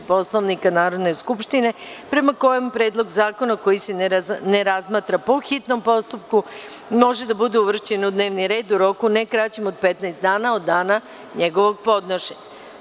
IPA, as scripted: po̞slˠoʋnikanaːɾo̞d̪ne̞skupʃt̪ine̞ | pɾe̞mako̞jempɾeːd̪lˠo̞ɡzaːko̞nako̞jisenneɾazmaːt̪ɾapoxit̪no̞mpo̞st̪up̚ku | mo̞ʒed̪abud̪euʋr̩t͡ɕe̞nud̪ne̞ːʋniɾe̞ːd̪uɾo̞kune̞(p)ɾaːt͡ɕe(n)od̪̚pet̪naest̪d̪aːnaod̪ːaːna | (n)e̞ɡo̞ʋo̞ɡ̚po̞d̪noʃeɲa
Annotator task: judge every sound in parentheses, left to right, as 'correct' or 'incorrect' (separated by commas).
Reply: incorrect, incorrect, incorrect